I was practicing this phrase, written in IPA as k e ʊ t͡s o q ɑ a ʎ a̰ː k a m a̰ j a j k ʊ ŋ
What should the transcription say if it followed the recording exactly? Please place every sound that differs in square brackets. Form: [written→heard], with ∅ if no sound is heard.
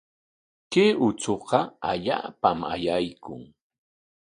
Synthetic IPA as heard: k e ʊ t͡s o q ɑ a ʎ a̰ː [k→p] a m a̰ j a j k ʊ ŋ